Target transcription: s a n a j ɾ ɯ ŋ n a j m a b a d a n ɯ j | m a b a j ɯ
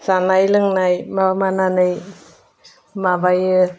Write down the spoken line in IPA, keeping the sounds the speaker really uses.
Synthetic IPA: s a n a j l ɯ ŋ n a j m a m a n a n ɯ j | m a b a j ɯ